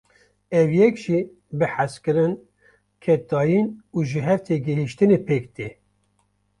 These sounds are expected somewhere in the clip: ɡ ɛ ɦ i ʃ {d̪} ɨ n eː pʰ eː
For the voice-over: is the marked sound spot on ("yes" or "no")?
no